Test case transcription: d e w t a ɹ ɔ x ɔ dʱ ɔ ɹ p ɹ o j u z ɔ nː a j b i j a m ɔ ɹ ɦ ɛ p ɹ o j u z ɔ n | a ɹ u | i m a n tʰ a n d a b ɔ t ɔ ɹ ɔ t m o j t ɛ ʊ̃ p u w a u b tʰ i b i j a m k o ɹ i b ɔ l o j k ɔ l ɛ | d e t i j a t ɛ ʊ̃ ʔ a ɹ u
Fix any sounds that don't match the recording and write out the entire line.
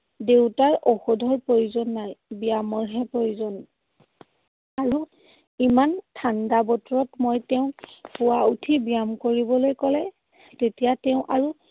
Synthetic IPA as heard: d e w t a ɹ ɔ x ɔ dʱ ɔ ɹ p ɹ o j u z ɔ nː a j b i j a m ɔ ɹ ɦ ɛ p ɹ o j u z ɔ n | a ɹ u | i m a n tʰ a n d a b ɔ t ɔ ɹ ɔ t m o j t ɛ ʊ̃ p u w a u tʰ i b i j a m k o ɹ i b ɔ l o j k ɔ l ɛ | t e t i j a t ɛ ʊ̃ ʔ a ɹ u